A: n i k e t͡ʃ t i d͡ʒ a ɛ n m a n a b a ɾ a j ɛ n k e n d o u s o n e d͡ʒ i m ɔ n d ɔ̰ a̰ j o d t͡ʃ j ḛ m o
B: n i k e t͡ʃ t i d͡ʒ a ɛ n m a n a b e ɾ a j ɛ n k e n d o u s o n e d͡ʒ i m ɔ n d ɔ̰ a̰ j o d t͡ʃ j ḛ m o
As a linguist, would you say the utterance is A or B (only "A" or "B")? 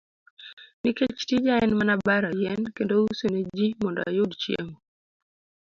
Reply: A